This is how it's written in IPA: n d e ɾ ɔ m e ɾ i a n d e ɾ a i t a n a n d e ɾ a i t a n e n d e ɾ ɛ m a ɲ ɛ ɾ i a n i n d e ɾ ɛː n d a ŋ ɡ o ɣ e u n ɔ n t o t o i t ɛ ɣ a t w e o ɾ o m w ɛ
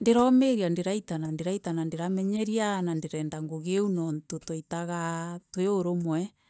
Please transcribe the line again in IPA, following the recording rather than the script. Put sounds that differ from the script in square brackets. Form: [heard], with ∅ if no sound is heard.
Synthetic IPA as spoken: n d e ɾ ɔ m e ɾ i a n d e ɾ a i t a n a n d e ɾ a i t a n [a] n d e ɾ [a] m [ɛ] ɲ ɛ ɾ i a n [a] n d e ɾ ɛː n d a ŋ ɡ o ɣ e u n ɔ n t o t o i t [a] ɣ a t w e o ɾ o m w ɛ